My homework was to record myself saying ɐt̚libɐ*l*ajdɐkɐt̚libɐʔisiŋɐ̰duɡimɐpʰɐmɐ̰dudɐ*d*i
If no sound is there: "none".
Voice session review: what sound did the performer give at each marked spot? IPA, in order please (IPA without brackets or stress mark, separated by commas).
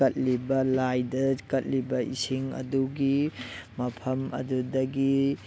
l, ɡ